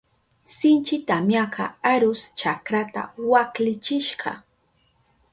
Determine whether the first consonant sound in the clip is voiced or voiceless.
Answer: voiceless